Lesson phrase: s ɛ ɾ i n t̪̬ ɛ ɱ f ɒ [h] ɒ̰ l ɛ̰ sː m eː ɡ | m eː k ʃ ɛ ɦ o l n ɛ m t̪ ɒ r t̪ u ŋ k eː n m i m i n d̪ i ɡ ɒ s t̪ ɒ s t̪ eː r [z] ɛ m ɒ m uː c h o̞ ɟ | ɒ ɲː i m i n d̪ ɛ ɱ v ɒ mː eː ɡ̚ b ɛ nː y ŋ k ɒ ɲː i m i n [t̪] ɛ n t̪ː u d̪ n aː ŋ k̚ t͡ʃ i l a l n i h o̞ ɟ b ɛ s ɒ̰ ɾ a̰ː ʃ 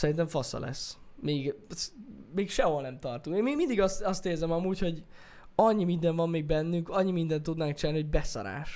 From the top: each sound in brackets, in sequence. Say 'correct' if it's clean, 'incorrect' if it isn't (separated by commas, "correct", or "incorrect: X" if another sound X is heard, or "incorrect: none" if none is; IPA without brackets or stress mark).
incorrect: s, correct, incorrect: d̪